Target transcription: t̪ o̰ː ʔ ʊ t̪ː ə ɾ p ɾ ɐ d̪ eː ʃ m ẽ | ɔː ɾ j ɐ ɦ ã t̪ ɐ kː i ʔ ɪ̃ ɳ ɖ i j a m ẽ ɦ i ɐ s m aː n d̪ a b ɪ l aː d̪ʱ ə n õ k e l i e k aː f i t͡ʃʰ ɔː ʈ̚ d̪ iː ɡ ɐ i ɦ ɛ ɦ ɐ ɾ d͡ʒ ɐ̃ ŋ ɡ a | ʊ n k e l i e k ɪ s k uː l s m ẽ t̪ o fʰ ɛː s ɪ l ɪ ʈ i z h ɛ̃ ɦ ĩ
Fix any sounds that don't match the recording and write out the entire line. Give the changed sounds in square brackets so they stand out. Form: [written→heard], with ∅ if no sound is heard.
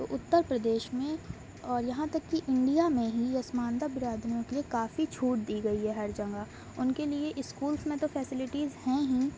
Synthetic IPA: t̪ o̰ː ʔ ʊ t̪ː ə ɾ p ɾ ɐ d̪ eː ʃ m ẽ | ɔː ɾ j ɐ ɦ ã t̪ ɐ kː i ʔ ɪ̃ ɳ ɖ i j a m ẽ ɦ i ɐ s m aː n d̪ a b ɪ [l→ɾ] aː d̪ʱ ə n õ k e l i e k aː f i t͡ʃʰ [ɔː→uː] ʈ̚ d̪ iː ɡ ɐ i ɦ ɛ ɦ ɐ ɾ d͡ʒ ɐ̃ ŋ ɡ a | ʊ n k e l i e [k→ʔ] ɪ s k uː l s m ẽ t̪ o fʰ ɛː s ɪ l ɪ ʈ i z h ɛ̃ ɦ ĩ

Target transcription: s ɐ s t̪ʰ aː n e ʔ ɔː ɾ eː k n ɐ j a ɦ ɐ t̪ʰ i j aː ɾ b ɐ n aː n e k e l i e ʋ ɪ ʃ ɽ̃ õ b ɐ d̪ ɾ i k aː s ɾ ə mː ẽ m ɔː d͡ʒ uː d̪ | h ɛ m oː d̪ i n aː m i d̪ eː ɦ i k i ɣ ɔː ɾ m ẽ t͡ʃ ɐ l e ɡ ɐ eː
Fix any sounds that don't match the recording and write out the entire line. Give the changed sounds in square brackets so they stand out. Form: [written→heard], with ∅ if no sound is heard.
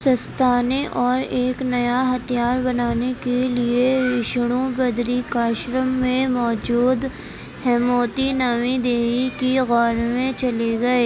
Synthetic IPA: s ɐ s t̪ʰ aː n e ʔ ɔː ɾ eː k n ɐ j a ɦ ɐ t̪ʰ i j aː ɾ b ɐ n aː n e k e l i e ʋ ɪ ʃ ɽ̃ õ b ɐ d̪ ɾ i k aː [s→ʃ] ɾ ə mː ẽ m ɔː d͡ʒ uː d̪ | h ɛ m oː [d̪→t̪] i n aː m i d̪ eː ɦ i k i ɣ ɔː ɾ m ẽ t͡ʃ ɐ l e ɡ ɐ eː

